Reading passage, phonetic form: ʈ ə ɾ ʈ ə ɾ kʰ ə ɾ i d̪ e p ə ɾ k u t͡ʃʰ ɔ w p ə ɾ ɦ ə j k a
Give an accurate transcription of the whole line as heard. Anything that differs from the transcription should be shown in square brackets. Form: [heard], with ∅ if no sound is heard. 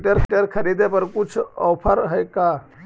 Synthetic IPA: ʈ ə ɾ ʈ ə ɾ kʰ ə ɾ i d̪ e p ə ɾ k u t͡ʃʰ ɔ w [pʰ] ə ɾ ɦ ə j k a